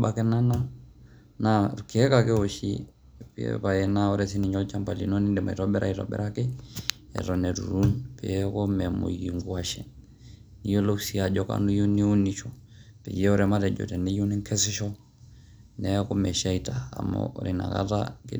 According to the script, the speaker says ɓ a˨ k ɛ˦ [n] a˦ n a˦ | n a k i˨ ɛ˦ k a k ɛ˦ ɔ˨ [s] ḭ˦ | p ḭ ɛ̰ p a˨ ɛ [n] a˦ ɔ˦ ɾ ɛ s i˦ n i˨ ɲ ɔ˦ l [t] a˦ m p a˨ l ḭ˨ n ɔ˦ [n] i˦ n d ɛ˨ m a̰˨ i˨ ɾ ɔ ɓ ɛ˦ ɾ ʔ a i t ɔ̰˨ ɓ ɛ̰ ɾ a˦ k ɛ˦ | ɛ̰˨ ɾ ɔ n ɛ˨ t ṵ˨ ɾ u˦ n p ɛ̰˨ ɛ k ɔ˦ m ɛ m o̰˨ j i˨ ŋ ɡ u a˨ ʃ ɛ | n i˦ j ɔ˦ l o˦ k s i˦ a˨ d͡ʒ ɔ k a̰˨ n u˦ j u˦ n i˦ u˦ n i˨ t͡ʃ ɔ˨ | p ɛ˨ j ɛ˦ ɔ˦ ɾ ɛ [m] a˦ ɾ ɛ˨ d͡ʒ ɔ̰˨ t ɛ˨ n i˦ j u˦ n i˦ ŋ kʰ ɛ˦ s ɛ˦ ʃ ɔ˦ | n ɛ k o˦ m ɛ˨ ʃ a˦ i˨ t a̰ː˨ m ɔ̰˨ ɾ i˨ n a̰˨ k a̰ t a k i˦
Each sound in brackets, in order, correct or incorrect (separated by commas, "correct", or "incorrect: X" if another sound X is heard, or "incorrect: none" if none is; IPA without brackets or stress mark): correct, incorrect: ʃ, correct, incorrect: t͡ʃ, correct, correct